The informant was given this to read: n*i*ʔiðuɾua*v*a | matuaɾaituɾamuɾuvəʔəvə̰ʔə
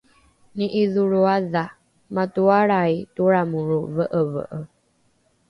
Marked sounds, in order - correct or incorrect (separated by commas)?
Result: correct, incorrect